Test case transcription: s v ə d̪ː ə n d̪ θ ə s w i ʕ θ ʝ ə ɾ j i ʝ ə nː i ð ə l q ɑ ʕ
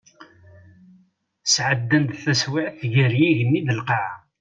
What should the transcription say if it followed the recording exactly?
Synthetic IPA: s ʕ ə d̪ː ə n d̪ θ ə s w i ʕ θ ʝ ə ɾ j i ʝ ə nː i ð ə l q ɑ ʕ

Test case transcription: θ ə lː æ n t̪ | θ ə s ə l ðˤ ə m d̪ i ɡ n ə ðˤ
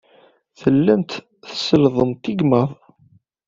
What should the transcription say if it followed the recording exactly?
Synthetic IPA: θ ə lː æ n t̪ | θ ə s ə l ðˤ ə m t̪ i ɡ m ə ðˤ

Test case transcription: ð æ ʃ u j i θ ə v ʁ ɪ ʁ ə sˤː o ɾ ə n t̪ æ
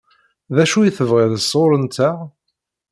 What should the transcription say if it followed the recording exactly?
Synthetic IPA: ð æ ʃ u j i θ ə v ʁ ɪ ð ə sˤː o ɾ ə n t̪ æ

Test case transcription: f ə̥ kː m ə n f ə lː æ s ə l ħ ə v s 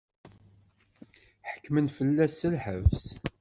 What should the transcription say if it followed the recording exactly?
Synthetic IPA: ħ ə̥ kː m ə n f ə lː æ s ə l ħ ə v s

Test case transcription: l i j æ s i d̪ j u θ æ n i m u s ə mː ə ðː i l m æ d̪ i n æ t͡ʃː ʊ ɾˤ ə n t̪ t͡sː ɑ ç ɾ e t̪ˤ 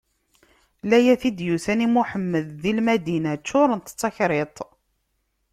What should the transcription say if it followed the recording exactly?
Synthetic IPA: l æ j æ θ i d̪ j u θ æ n i m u ħ ə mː ə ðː i l m æ d̪ i n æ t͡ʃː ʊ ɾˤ ə n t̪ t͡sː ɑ ç ɾ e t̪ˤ

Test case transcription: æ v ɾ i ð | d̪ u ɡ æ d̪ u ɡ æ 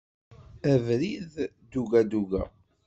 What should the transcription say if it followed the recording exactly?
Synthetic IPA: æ v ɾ i ð | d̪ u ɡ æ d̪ u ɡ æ

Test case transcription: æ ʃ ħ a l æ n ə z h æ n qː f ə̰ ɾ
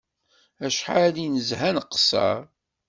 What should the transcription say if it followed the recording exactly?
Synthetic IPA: æ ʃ ħ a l i n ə z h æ n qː s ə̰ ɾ

